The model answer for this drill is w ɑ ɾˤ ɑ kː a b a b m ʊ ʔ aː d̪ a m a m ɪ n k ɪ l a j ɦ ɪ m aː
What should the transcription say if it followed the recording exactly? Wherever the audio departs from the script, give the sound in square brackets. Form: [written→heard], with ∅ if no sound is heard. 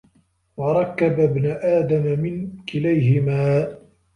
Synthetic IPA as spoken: w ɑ ɾˤ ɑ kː a b a b [m→n] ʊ ʔ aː d̪ a m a m ɪ n k ɪ l a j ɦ ɪ m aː